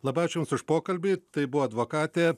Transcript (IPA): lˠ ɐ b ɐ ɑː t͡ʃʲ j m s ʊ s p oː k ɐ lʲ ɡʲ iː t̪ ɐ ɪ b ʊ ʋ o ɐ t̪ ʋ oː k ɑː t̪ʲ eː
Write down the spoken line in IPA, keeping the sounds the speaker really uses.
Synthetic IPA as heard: lˠ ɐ b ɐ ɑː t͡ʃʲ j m s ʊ ʃ p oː k ɐ lʲ bʲ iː t̪ ɐ ɪ b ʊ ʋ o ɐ d̪ ʋ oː k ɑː t̪ʲ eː